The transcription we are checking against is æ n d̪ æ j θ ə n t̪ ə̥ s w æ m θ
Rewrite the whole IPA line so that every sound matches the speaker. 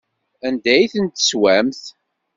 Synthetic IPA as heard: æ n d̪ æ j θ ə n t̪ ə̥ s w æ m θ